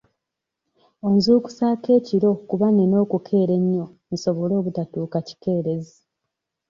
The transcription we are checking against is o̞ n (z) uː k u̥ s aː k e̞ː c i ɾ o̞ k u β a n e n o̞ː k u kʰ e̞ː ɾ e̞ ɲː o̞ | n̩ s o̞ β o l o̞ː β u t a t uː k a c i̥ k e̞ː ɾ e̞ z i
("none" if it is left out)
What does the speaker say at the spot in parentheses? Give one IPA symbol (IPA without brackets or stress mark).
z